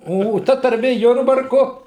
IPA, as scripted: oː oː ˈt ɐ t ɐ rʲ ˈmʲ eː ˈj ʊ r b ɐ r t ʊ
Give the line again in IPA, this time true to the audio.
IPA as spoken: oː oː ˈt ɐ t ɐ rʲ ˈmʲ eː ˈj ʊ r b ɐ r k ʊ

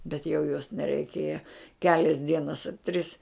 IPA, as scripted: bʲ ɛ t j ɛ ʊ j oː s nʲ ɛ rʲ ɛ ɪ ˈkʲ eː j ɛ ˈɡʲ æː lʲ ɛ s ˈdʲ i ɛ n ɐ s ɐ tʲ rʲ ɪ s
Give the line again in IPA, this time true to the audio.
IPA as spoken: bʲ ɛ t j ɛ ʊ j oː s nʲ ɛ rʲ ɛ ɪ ˈkʲ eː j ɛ ˈkʲ æː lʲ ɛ s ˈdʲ i ɛ n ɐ s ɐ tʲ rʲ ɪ s

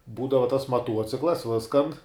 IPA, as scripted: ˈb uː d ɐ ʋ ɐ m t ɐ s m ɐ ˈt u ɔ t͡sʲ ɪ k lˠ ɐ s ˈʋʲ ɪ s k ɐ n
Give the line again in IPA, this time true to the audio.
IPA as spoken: ˈb uː d ɐ ʋ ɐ t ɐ s m ɐ ˈt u ɔ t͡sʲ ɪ k lˠ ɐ s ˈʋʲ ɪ s k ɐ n

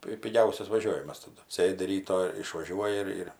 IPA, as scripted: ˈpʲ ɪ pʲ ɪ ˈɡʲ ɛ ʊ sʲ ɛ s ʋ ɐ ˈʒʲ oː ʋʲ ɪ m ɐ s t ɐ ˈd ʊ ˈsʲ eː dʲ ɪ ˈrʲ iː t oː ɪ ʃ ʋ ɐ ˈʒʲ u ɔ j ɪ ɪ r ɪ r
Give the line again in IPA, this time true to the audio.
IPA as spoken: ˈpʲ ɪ pʲ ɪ ˈɡʲ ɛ ʊ sʲ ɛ s ʋ ɐ ˈʒʲ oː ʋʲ ɪ m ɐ s t ɐ ˈd ʊ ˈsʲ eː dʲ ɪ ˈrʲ iː t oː ɪ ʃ ʋ ɐ ˈʒʲ u ɔ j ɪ ɪ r ɪ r

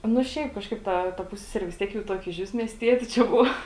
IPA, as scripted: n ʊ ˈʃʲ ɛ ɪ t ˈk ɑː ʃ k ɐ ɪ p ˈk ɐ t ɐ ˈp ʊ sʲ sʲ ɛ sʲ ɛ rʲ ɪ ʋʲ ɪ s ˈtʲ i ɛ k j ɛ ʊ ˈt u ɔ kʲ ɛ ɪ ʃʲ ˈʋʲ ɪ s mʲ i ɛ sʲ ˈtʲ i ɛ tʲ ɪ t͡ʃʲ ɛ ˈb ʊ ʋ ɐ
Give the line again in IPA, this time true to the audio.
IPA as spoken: n ʊ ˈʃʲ ɛ ɪ p ˈk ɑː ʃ k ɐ ɪ p ˈt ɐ t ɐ ˈp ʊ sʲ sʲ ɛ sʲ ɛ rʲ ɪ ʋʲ ɪ s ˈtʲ i ɛ k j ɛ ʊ ˈt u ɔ kʲ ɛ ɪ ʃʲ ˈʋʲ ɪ s mʲ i ɛ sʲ ˈtʲ i ɛ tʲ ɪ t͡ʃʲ ɛ ˈb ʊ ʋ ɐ

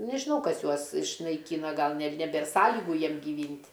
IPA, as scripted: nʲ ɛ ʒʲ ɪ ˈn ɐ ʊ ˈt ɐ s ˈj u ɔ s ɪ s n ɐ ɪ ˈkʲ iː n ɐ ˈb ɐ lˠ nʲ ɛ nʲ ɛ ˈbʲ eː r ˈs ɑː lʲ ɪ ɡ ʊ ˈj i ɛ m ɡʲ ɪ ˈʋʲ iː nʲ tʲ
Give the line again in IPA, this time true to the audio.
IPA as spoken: nʲ ɛ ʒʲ ɪ ˈn ɐ ʊ ˈk ɐ s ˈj u ɔ s ɪ ʃ n ɐ ɪ ˈkʲ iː n ɐ ˈɡ ɐ lˠ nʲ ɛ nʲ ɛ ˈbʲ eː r ˈs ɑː lʲ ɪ ɡ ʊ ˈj i ɛ m ɡʲ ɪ ˈʋʲ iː nʲ tʲ

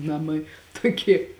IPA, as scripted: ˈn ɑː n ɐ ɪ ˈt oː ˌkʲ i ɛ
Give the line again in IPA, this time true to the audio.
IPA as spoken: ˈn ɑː m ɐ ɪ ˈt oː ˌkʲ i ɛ

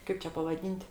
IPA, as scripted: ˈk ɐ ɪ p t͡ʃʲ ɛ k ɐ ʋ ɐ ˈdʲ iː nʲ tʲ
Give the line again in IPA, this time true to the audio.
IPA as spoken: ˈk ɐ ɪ p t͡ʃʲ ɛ p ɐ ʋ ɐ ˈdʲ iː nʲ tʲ

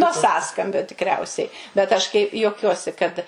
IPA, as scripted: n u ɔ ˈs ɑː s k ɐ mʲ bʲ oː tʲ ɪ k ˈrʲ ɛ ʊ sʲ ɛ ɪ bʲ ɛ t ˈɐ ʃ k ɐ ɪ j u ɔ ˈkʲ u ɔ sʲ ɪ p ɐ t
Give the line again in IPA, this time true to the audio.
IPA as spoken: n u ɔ ˈs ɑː s k ɐ mʲ bʲ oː tʲ ɪ k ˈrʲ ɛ ʊ sʲ ɛ ɪ bʲ ɛ t ˈɐ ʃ k ɐ ɪ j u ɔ ˈkʲ u ɔ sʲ ɪ k ɐ t

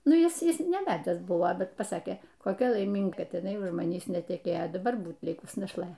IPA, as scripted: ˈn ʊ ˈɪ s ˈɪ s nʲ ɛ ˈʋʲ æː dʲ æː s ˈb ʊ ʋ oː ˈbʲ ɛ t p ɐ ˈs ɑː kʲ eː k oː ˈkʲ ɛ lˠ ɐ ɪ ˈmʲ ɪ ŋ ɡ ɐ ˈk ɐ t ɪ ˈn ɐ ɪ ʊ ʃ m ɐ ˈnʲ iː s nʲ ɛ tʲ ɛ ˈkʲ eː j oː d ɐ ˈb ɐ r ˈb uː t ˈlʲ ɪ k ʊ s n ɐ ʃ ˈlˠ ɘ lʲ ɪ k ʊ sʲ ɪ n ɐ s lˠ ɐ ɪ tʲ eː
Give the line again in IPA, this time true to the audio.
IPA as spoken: ˈn ʊ ˈɪ s ˈɪ s nʲ ɛ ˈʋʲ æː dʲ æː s ˈb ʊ ʋ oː ˈbʲ ɛ t p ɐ ˈs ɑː kʲ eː k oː ˈkʲ ɛ lˠ ɐ ɪ ˈmʲ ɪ ŋ ɡ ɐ ˈk ɐ t ɪ ˈn ɐ ɪ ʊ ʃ m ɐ ˈnʲ iː s nʲ ɛ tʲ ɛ ˈkʲ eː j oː d ɐ ˈb ɐ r ˈb uː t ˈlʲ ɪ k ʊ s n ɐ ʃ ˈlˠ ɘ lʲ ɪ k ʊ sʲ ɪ n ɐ ʃ lˠ ɐ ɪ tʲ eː

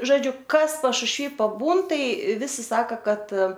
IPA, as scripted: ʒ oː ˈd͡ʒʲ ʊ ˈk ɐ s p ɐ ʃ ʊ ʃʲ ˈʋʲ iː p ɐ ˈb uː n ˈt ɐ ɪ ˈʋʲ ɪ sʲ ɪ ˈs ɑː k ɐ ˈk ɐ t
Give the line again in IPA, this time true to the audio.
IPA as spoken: ʒ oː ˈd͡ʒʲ ʊ ˈk ɐ s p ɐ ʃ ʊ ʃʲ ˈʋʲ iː p ɐ ˈb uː n ˈt ɐ ɪ ˈʋʲ ɪ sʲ ɪ ˈs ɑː k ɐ ˈk ɐ t

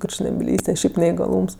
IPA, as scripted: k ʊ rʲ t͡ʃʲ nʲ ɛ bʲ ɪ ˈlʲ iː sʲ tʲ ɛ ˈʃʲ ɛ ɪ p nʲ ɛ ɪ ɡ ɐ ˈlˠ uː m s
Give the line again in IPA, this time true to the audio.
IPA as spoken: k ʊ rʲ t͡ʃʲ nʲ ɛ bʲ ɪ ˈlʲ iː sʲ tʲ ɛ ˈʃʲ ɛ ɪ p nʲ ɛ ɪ ɡ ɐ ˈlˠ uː m s

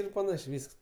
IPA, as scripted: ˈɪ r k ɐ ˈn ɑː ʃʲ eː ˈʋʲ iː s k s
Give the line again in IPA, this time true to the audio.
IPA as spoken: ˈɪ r p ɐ ˈn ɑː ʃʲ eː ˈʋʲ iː s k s

